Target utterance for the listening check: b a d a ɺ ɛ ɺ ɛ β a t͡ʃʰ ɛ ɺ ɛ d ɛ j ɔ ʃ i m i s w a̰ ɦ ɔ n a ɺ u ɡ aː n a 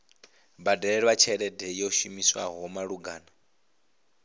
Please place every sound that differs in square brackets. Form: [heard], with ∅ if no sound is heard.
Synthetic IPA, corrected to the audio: b a d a ɺ ɛ ɺ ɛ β a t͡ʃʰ ɛ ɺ ɛ d ɛ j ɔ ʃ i m i s w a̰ ɦ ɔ [m] a ɺ u ɡ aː n a